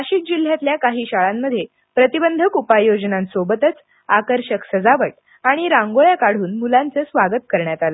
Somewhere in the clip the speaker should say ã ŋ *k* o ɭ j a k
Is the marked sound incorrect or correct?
incorrect